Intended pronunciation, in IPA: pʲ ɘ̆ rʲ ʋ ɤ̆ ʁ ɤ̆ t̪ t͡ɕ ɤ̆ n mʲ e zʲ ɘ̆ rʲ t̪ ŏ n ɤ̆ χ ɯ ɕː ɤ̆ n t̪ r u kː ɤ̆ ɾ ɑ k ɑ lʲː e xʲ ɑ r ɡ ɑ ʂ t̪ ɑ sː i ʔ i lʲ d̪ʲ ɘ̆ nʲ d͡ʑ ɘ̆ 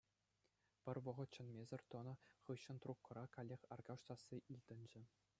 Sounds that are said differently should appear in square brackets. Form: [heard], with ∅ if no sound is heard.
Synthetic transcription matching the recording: pʲ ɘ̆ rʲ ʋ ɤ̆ ʁ ɤ̆ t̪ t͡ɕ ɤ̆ n mʲ e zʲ ɘ̆ rʲ t̪ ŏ n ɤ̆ χ ɯ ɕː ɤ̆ n t̪ r u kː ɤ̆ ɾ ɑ k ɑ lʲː e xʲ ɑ r ɡ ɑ ʂ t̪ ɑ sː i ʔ i lʲ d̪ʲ ɘ̆ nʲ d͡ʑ ɘ̆